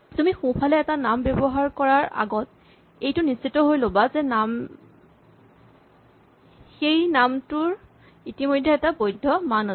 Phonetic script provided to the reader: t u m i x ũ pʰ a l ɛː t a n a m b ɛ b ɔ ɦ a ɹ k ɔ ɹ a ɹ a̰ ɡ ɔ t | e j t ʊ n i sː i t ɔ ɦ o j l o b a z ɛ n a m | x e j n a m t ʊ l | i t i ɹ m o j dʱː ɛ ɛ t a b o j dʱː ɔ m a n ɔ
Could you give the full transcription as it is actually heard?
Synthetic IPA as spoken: t u m i x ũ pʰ a l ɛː t a n a m b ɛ b ɔ ɦ a ɹ k ɔ ɹ a ɹ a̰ ɡ ɔ t | e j t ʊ n i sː i t ɔ ɦ o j l o b a z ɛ n a m | x e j n a m t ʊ ɹ | i t i m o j dʱː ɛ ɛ t a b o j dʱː ɔ m a n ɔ

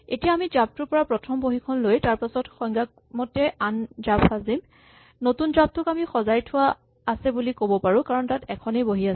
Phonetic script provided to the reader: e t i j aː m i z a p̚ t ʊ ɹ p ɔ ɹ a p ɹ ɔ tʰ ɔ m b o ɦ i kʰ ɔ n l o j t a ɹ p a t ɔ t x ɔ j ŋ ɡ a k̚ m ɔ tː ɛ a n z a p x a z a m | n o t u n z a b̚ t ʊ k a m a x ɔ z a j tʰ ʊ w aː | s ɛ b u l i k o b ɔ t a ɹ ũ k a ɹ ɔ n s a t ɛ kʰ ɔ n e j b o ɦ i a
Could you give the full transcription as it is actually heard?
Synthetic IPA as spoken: e t i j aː m i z a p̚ t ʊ ɹ p ɔ ɹ a p ɹ ɔ tʰ ɔ m b o ɦ i kʰ ɔ n l o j t a ɹ p a s ɔ t x ɔ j ŋ ɡ a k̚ m ɔ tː ɛ a n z a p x a z i m | n o t u n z a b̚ t ʊ k a m i x ɔ z a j tʰ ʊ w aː | s ɛ b u l i k o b ɔ p a ɹ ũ k a ɹ ɔ n t a t ɛ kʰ ɔ n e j b o ɦ i a

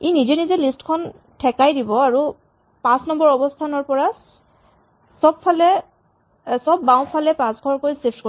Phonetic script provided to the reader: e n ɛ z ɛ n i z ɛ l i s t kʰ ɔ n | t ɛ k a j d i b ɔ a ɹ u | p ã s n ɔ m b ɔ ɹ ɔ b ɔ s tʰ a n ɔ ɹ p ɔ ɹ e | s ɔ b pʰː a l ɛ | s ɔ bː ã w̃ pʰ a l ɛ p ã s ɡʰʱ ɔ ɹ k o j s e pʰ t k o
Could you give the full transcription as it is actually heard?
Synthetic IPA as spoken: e n i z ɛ n i z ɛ l i s t kʰ ɔ n | tʰ ɛ k a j d i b ɔ a ɹ u | p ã s n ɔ m b ɔ ɹ ɔ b ɔ s tʰ a n ɔ ɹ p ɔ ɹ a | s ɔ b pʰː a l ɛ | s ɔ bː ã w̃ pʰ a l ɛ p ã s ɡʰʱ ɔ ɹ k o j s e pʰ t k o

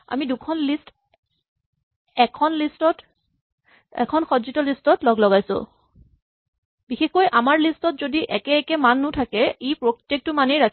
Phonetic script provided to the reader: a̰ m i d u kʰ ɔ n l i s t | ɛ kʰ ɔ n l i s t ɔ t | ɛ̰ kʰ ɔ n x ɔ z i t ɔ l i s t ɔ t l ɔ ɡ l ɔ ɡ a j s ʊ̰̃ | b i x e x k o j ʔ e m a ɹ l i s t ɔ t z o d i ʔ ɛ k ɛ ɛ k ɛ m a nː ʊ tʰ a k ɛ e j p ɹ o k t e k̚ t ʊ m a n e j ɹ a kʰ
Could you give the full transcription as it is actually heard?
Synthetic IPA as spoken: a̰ m i d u kʰ ɔ n l i s t | ɛ kʰ ɔ n l i s t ɔ t | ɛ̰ kʰ ɔ n x ɔ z i t ɔ l i s t ɔ t l ɔ ɡ l ɔ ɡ a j s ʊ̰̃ | b i x e x k o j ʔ a m a ɹ l i s t ɔ t z o d i ʔ ɛ k ɛ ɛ k ɛ m a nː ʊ tʰ a k ɛ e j p ɹ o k t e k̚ t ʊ m a n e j ɹ a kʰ

